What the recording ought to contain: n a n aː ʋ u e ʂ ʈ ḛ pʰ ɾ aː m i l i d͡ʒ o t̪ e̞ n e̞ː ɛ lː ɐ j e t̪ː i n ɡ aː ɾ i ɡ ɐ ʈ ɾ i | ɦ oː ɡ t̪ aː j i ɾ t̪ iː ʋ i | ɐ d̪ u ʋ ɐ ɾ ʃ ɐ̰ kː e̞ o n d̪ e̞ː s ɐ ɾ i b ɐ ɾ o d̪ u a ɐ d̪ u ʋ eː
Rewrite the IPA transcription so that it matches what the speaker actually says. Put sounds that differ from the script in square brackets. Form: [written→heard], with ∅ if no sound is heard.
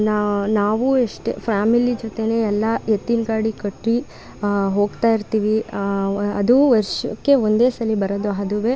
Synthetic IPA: n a n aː ʋ u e ʂ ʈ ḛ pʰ ɾ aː m i l i d͡ʒ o t̪ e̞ n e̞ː ɛ lː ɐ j e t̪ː i n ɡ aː [ɾ→ɽ] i [ɡ→k] ɐ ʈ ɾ i | ɦ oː ɡ t̪ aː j i ɾ t̪ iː ʋ i | ɐ d̪ u ʋ ɐ ɾ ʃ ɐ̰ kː e̞ o n d̪ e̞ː s ɐ [ɾ→l] i b ɐ ɾ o d̪ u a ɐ d̪ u ʋ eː

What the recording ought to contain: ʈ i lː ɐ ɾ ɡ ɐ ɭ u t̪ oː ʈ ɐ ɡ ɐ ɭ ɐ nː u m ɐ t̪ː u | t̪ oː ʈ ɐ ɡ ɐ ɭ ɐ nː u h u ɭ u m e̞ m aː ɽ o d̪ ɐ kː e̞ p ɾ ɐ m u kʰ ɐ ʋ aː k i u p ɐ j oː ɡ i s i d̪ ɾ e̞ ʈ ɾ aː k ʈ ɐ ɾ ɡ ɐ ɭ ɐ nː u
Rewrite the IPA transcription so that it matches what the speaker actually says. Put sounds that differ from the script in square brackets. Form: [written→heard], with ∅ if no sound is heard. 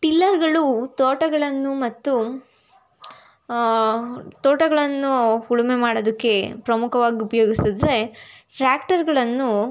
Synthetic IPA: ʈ i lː ɐ ɾ ɡ ɐ ɭ u t̪ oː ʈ ɐ ɡ ɐ ɭ ɐ nː u m ɐ t̪ː u | t̪ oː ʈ ɐ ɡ ɐ ɭ ɐ nː u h u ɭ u m e̞ m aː ɽ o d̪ ɐ kː e̞ p ɾ ɐ m u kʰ ɐ ʋ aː [k→ɡ] i u p ɐ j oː ɡ i s i d̪ ɾ e̞ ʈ ɾ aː k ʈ ɐ ɾ ɡ ɐ ɭ ɐ nː u

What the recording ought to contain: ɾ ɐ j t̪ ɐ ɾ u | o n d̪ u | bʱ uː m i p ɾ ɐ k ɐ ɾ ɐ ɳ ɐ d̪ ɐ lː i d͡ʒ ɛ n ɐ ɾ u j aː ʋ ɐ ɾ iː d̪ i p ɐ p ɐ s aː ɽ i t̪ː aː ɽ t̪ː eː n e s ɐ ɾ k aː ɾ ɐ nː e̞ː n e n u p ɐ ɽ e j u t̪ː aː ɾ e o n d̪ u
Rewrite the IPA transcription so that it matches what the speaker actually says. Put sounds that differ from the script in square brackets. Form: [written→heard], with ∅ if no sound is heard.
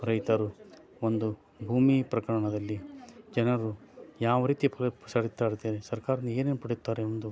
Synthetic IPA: ɾ ɐ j t̪ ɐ ɾ u | o n d̪ u | bʱ uː m i p ɾ ɐ k ɐ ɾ ɐ ɳ ɐ d̪ ɐ lː i d͡ʒ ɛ n ɐ ɾ u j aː ʋ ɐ ɾ iː [d̪→t̪] i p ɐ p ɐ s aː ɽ i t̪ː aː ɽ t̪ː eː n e s ɐ ɾ k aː ɾ ɐ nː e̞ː n e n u p ɐ ɽ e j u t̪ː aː ɾ e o n d̪ u

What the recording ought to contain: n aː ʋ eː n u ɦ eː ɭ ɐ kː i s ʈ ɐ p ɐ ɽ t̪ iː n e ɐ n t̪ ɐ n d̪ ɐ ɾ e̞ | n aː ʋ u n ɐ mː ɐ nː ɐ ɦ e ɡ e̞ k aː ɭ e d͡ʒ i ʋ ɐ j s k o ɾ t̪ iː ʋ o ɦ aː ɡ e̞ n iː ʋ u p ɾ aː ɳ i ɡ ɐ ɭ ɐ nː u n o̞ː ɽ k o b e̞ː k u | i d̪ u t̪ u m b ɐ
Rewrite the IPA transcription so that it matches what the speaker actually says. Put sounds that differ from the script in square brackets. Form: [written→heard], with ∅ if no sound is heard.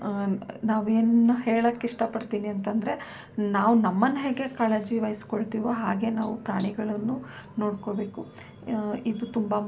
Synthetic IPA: n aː ʋ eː n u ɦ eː ɭ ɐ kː i [s→ʂ] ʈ ɐ p ɐ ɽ t̪ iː n [e→i] ɐ n t̪ ɐ n d̪ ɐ ɾ e̞ | n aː ʋ u n ɐ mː ɐ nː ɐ ɦ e ɡ e̞ k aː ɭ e d͡ʒ i ʋ ɐ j s k o [ɾ→ɭ] t̪ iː ʋ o ɦ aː ɡ e̞ n [iː→aː] ʋ u p ɾ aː ɳ i ɡ ɐ ɭ ɐ nː u n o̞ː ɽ k o b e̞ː k u | i d̪ u t̪ u m b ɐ

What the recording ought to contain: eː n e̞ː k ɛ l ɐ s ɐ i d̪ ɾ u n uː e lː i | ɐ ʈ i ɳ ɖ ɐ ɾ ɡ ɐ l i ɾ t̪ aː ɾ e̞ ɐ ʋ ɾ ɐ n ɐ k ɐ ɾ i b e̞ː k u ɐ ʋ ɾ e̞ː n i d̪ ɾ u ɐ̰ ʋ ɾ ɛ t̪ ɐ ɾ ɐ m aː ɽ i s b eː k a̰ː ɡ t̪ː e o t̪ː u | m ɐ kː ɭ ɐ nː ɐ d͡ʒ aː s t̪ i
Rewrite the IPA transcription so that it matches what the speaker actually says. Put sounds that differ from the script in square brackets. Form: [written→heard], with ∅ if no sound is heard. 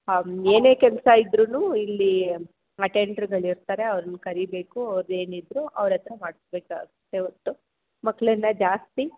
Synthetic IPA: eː n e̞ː k ɛ l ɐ s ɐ i d̪ ɾ u n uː [e→i] lː i | ɐ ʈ [i→e] ɳ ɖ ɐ ɾ ɡ ɐ [l→ɭ] i ɾ t̪ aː ɾ e̞ ɐ ʋ ɾ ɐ n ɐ k ɐ ɾ i b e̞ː k u ɐ ʋ ɾ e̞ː n i d̪ ɾ u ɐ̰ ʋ ɾ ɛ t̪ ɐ ɾ ɐ m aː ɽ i s b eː k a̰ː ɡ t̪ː e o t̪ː u | m ɐ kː ɭ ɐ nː ɐ d͡ʒ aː s t̪ i

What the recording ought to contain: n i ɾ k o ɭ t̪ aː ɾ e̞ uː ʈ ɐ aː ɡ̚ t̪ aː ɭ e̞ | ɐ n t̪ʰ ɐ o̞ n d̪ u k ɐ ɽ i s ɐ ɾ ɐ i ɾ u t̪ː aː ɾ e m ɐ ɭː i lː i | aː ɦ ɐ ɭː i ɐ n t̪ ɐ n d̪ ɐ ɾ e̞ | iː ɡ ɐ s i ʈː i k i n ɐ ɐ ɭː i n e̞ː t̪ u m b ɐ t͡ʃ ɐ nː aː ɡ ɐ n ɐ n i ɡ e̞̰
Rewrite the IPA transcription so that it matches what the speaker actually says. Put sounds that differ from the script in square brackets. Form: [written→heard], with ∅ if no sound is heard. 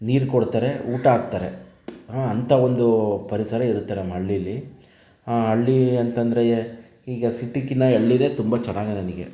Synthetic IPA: n [i→iː] ɾ k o [ɭ→ɽ] t̪ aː ɾ e̞ uː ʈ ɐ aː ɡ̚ t̪ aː [ɭ→ɾ] e̞ | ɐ n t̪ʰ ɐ o̞ n d̪ u [k→p] ɐ [ɽ→ɾ] i s ɐ ɾ ɐ i ɾ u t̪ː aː ɾ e m ɐ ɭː i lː i | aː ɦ ɐ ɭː i ɐ n t̪ ɐ n d̪ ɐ ɾ e̞ | iː ɡ ɐ s i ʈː i k i n ɐ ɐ ɭː i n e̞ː t̪ u m b ɐ t͡ʃ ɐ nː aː ɡ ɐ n ɐ n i ɡ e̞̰

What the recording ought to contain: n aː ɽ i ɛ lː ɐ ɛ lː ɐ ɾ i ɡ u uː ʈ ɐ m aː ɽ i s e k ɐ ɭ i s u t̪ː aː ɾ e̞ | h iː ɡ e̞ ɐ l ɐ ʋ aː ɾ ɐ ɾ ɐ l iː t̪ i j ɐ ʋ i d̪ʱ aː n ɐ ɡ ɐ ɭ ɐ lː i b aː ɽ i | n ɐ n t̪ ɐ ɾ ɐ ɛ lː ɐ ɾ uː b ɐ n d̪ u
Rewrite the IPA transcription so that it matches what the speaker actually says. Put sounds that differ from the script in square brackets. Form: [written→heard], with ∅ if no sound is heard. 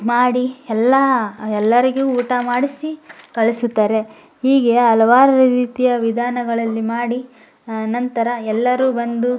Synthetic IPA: [n→m] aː ɽ i ɛ lː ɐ ɛ lː ɐ ɾ i ɡ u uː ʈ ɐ m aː ɽ i s [e→i] k ɐ ɭ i s u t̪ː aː ɾ e̞ | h iː ɡ e̞ ɐ l ɐ ʋ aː ɾ ɐ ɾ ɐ [l→ɾ] iː t̪ i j ɐ ʋ i d̪ʱ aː n ɐ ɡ ɐ ɭ ɐ lː i [b→m] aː ɽ i | n ɐ n t̪ ɐ ɾ ɐ ɛ lː ɐ ɾ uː b ɐ n d̪ u

